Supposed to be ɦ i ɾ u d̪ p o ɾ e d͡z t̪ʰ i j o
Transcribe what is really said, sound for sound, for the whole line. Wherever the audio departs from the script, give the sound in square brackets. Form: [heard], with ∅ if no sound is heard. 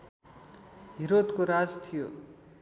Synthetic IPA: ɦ i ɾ [o] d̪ [k] o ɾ [a] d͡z t̪ʰ i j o